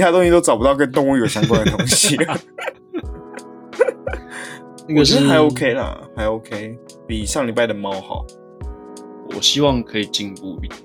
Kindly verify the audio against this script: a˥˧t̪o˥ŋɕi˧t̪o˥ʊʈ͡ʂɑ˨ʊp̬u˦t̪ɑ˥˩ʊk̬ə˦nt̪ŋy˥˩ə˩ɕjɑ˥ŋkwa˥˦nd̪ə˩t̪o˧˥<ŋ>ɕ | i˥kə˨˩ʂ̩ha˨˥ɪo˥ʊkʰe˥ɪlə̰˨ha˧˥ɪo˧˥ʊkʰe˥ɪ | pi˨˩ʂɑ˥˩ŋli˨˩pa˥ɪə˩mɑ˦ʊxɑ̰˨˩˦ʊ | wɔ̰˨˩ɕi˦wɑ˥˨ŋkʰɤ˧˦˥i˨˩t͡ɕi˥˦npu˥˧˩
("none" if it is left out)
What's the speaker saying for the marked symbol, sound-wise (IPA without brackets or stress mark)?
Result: ŋ